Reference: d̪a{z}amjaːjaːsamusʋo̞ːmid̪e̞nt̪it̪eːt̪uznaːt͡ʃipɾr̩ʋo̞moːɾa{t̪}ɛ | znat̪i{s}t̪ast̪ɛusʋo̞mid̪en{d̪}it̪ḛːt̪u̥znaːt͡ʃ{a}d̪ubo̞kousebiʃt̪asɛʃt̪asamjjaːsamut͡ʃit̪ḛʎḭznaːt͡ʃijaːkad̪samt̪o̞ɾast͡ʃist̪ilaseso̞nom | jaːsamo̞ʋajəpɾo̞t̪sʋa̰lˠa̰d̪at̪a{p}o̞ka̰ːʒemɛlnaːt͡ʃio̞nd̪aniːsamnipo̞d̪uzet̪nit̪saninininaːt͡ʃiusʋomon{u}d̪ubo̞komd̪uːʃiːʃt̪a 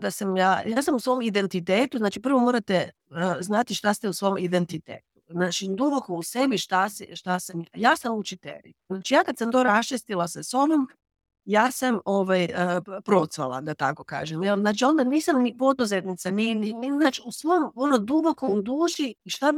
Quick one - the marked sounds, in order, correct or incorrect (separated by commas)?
incorrect, correct, incorrect, incorrect, incorrect, incorrect, incorrect